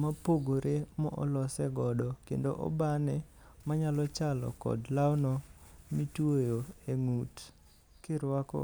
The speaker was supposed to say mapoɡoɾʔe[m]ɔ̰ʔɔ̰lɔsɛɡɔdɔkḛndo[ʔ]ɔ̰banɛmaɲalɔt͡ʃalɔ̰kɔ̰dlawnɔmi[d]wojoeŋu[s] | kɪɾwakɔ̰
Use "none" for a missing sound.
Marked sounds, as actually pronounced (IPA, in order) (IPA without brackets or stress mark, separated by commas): m, ʔ, t, t